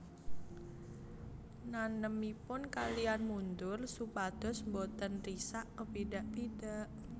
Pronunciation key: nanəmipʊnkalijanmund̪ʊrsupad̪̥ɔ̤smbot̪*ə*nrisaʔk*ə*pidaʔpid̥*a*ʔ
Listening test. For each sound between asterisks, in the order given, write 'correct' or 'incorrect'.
correct, correct, correct

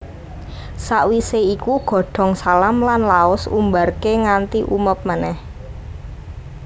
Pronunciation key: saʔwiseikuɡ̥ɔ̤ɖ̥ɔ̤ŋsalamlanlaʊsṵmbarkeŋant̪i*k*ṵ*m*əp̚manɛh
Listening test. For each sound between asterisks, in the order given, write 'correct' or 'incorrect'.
incorrect: ʔ, correct

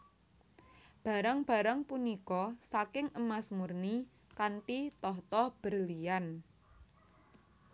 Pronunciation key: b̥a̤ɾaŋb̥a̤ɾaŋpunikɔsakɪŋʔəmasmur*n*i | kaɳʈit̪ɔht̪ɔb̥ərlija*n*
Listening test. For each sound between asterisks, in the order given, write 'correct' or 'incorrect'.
correct, correct

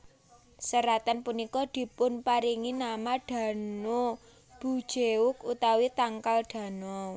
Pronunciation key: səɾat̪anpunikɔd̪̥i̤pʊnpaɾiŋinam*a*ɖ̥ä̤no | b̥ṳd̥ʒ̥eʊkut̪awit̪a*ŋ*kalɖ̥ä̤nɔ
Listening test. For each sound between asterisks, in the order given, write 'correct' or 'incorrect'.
correct, correct

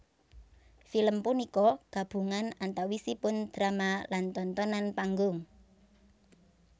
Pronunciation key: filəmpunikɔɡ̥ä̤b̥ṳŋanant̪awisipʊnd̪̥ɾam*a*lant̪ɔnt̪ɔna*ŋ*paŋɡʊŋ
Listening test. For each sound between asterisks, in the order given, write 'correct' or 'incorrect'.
correct, incorrect: n

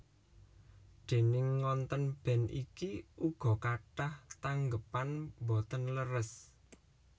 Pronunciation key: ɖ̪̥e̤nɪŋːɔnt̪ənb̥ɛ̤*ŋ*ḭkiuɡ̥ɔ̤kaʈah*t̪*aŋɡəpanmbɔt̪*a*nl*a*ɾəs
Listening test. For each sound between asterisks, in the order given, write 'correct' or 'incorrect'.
incorrect: n, correct, incorrect: ə, incorrect: ə

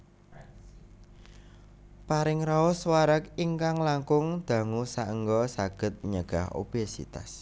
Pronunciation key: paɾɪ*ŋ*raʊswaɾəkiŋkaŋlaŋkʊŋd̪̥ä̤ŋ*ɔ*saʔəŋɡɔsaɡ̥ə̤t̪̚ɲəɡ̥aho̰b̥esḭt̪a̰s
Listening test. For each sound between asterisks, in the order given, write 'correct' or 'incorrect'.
correct, incorrect: u

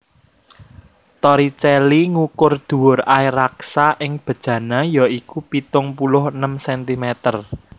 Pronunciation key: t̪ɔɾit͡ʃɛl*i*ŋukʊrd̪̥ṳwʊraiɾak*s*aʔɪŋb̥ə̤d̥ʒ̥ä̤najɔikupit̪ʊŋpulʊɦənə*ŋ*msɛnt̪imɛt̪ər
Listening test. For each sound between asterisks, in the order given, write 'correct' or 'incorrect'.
correct, correct, incorrect: none

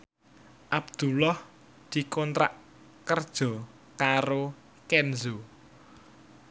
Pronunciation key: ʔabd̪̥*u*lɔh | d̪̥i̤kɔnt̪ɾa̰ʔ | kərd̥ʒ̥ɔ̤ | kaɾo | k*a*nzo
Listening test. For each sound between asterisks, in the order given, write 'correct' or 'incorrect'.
correct, incorrect: ɛ

